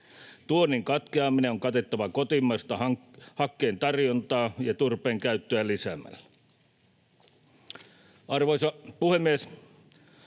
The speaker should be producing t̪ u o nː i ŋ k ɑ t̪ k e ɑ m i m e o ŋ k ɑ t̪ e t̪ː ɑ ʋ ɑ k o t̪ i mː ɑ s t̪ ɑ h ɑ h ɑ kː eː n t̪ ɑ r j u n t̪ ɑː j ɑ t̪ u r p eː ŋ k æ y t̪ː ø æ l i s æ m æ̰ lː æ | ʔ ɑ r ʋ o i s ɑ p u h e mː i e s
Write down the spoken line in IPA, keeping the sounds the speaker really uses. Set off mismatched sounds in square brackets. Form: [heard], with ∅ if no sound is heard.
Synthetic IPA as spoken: t̪ u o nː i ŋ k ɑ t̪ k e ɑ m i [n] e o ŋ k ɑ t̪ e t̪ː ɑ ʋ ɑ k o t̪ i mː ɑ s t̪ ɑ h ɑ h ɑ kː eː n t̪ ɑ r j [o] n t̪ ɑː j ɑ t̪ u r p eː ŋ k æ y t̪ː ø æ l i s æ m æ̰ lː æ | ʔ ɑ r ʋ o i s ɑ p u h e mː i e s